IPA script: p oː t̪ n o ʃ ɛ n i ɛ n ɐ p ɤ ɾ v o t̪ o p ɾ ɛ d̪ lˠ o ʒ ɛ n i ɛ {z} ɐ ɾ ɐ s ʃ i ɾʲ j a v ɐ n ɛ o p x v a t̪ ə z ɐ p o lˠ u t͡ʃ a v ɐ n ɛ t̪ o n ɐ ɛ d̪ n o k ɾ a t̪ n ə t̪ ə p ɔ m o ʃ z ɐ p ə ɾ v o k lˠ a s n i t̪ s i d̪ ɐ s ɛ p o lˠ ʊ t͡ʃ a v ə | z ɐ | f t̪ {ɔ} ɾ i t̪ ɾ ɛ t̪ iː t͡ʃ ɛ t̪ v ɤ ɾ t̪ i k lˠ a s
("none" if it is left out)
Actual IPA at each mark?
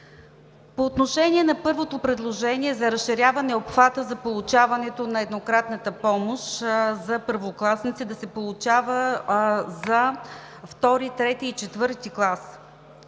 z, ɔ

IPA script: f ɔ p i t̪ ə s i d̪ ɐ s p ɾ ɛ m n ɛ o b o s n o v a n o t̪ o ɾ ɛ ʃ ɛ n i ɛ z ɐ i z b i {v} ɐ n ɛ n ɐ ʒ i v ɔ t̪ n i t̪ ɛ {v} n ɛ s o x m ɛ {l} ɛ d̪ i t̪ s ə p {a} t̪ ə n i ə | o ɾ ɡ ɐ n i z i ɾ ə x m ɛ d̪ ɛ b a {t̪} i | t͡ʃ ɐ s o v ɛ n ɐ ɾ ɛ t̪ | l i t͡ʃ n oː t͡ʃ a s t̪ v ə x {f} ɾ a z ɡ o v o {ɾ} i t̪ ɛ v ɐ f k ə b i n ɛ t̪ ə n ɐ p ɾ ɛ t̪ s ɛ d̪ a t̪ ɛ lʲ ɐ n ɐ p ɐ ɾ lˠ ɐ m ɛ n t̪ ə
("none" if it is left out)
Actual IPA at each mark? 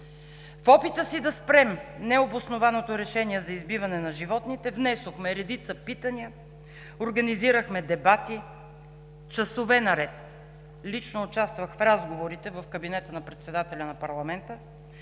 v, v, ɾ, i, t̪, f, ɾ

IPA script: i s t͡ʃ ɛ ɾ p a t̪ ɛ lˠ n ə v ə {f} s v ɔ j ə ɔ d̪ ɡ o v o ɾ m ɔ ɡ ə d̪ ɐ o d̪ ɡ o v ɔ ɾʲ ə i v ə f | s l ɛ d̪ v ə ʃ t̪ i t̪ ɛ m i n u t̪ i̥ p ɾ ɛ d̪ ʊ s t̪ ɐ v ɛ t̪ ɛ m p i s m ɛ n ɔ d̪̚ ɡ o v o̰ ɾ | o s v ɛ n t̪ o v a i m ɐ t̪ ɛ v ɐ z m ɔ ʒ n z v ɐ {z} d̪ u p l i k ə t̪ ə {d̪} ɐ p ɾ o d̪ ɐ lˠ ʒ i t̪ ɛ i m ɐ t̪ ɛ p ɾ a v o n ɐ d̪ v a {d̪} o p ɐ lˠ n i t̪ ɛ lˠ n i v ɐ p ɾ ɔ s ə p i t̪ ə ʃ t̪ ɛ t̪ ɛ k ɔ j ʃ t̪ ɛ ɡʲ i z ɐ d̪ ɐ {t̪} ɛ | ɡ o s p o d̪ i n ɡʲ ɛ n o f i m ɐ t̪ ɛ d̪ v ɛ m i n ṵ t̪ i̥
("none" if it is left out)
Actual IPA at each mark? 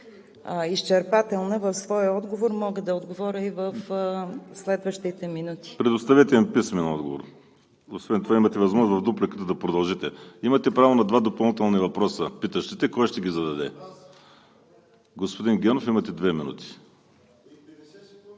f, v, d̪, d̪, d̪

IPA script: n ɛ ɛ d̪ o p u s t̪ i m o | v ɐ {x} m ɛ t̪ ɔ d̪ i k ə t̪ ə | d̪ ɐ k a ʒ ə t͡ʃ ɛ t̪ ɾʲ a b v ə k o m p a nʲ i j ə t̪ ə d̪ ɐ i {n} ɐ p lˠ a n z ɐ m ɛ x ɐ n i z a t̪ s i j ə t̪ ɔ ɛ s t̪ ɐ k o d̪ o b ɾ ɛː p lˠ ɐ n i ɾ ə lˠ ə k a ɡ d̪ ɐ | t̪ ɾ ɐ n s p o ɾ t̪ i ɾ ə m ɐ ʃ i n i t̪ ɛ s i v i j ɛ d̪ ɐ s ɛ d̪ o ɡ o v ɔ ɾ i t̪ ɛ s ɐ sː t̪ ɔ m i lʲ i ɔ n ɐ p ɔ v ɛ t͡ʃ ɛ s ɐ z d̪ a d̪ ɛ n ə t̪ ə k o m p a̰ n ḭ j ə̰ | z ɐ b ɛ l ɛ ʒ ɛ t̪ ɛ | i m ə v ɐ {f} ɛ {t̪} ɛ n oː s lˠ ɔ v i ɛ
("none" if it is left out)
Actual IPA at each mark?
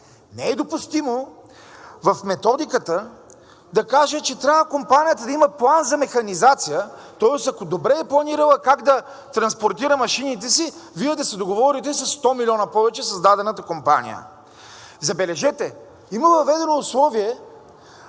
f, m, v, d̪

